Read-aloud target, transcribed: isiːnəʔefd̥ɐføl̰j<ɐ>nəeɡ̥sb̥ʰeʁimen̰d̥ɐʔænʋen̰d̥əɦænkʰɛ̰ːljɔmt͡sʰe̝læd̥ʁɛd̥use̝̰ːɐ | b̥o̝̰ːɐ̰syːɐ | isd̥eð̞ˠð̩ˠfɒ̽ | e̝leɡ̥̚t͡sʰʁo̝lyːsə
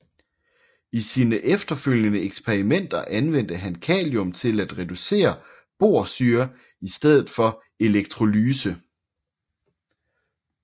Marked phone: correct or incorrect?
incorrect